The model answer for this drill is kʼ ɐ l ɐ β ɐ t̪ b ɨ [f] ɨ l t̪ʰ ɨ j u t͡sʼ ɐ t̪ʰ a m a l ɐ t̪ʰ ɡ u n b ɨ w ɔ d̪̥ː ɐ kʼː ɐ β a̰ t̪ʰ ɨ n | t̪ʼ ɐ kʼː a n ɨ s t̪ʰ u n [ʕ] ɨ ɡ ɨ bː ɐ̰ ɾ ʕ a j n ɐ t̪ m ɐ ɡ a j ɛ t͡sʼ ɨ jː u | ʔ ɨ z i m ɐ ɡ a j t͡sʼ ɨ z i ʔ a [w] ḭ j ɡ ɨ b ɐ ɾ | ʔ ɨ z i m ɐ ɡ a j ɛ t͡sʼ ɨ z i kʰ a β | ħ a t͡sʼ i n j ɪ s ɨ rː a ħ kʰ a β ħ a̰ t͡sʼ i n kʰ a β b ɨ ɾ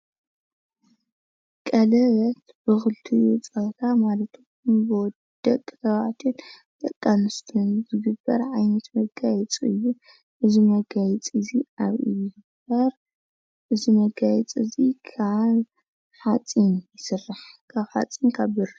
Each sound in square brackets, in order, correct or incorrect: incorrect: x, incorrect: z, incorrect: β

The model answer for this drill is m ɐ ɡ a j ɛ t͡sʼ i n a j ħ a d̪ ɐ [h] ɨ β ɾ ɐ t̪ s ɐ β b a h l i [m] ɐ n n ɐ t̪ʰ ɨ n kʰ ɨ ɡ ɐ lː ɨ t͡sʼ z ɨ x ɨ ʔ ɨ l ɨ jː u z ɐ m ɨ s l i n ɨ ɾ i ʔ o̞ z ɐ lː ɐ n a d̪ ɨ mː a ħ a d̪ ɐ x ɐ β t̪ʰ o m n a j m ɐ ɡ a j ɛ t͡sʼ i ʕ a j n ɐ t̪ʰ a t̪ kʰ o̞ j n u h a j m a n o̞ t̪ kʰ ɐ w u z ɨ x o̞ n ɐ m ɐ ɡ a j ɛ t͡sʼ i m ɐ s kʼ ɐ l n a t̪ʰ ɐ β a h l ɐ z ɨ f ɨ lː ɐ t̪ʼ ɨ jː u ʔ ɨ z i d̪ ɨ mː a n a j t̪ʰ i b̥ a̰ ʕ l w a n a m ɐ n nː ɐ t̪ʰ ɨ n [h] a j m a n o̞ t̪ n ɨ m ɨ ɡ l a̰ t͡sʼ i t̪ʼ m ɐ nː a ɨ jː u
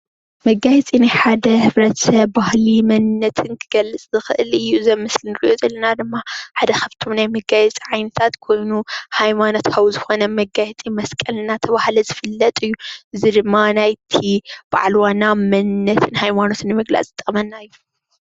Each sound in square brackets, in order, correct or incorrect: correct, correct, correct

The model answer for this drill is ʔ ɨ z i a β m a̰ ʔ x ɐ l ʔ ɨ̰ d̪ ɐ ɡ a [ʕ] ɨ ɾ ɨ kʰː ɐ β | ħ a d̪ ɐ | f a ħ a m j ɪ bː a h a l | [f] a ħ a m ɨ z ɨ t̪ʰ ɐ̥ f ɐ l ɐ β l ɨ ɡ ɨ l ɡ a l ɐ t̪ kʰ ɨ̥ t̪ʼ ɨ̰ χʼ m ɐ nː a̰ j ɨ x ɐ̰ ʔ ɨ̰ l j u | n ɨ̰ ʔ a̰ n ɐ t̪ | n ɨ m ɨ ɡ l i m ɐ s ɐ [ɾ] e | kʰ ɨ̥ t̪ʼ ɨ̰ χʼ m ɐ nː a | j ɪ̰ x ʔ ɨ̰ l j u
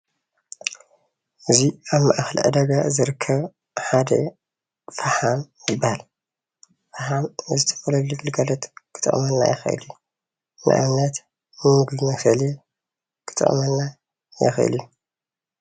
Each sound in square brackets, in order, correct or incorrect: incorrect: z, correct, incorrect: l

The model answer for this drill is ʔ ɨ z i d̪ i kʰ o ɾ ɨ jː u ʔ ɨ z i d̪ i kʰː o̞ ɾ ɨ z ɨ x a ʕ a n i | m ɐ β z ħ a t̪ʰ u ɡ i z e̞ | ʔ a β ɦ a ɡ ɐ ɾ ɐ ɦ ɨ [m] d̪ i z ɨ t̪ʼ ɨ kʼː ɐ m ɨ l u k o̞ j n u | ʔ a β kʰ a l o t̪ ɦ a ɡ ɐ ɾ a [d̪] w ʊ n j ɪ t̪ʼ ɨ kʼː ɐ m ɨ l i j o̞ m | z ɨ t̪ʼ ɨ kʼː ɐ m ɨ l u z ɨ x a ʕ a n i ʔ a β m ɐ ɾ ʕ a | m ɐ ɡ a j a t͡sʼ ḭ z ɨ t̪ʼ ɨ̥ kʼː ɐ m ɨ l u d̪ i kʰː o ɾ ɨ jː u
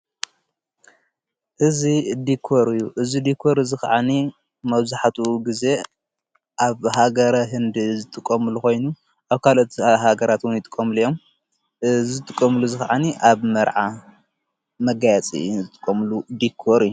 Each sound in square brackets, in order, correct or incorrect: incorrect: n, incorrect: t̪

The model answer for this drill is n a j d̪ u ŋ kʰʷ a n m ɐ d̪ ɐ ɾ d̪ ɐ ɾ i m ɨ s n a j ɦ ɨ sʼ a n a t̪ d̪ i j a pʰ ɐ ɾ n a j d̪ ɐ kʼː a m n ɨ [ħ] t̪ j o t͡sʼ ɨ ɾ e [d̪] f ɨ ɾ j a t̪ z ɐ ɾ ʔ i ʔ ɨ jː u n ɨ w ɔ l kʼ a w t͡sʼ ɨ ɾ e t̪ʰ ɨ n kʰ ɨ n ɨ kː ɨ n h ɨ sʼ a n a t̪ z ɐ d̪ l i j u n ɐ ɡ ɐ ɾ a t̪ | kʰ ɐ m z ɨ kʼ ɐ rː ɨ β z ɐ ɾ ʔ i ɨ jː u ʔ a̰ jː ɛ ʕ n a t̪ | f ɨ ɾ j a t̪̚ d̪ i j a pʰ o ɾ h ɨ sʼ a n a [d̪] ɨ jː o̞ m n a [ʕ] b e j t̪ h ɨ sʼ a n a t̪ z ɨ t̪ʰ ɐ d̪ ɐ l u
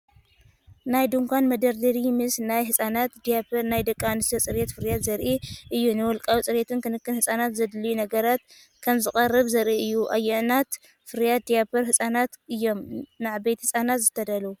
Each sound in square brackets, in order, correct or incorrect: incorrect: s, incorrect: t̪, incorrect: t̪, correct

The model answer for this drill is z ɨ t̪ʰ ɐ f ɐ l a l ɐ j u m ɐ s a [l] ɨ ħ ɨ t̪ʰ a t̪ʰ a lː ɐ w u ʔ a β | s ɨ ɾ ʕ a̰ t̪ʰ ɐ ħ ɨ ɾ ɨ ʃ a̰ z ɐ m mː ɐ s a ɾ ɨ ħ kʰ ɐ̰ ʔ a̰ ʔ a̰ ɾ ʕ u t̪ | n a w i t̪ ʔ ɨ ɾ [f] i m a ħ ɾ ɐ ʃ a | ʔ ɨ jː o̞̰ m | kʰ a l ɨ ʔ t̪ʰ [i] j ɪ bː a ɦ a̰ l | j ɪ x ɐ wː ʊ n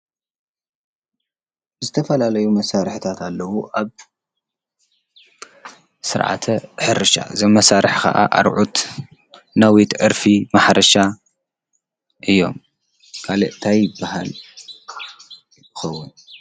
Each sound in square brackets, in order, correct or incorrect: incorrect: ɾ, correct, incorrect: a

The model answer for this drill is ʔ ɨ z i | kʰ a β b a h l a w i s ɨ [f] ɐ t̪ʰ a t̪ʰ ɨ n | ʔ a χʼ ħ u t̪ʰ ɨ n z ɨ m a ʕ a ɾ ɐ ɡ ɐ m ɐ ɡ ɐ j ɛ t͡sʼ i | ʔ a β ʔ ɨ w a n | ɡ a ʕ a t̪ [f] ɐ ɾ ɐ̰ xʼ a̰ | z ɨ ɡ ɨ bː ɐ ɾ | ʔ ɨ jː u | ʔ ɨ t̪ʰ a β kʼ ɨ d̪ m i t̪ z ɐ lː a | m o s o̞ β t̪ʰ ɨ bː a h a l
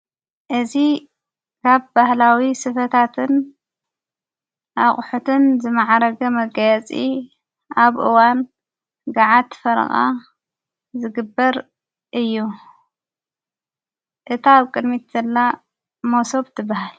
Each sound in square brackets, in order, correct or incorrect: correct, correct

